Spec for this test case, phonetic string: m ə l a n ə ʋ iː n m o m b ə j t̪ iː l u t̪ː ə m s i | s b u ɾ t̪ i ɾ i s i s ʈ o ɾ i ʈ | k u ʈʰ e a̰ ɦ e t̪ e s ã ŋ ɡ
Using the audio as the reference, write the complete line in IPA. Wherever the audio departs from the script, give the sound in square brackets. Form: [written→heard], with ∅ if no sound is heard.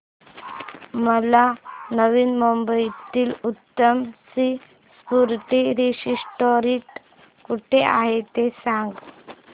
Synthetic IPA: m ə l a n ə ʋ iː n m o m b ə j t̪ iː l u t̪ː ə m s i | s [b→p] u ɾ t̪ i ɾ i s i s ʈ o ɾ i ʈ | k u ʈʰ e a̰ ɦ e t̪ e s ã ŋ ɡ